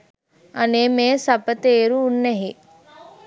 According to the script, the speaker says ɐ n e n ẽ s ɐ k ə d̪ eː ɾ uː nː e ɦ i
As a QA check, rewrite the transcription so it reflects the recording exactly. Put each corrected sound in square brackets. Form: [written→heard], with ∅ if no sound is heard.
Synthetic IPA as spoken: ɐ n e [n→m] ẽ s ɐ [k→p] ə [d̪→t̪] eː ɾ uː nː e ɦ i